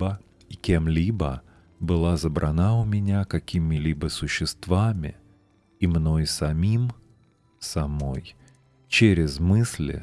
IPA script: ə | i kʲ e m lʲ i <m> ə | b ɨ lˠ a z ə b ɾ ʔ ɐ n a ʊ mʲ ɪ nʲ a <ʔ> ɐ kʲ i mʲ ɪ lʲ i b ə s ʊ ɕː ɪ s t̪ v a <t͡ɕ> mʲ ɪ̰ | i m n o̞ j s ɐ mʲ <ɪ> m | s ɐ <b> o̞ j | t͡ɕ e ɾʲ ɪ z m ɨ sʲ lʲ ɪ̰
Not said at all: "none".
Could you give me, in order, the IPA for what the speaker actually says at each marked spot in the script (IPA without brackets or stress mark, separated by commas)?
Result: b, k, none, i, m